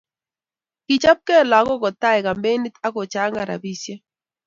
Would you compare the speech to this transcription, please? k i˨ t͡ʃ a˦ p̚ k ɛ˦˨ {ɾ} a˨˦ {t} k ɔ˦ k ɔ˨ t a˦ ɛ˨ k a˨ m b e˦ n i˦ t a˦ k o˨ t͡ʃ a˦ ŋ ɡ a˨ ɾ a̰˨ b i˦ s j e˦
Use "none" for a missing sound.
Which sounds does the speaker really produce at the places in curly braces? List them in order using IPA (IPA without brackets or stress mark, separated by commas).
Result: l, none